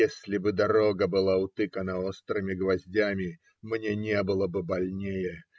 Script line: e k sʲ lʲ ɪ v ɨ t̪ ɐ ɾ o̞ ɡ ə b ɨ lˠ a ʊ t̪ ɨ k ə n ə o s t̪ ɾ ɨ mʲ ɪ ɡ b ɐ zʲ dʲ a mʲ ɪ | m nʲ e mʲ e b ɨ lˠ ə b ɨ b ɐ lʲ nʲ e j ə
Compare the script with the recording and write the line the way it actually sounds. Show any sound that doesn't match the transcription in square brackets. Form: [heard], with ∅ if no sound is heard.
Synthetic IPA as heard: e [∅] sʲ lʲ ɪ [b] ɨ [d̪] ɐ ɾ o̞ ɡ ə b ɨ lˠ a ʊ t̪ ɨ k ə n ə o s t̪ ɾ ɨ mʲ ɪ ɡ [v] ɐ zʲ dʲ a mʲ ɪ | m nʲ e [nʲ] e b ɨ lˠ ə b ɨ b ɐ lʲ nʲ e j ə